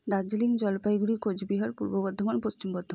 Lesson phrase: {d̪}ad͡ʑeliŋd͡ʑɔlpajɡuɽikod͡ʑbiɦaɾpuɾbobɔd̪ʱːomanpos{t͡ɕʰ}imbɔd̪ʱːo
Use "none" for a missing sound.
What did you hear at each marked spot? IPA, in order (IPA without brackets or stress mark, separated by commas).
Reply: d̪, t͡ɕ